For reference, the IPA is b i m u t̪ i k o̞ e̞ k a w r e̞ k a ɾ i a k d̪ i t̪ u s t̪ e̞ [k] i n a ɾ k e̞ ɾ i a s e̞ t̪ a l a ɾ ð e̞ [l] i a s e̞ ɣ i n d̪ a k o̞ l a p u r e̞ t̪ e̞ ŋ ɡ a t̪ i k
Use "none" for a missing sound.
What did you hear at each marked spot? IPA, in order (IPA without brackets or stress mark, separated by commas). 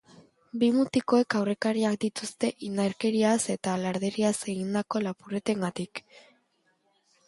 ʔ, ɾ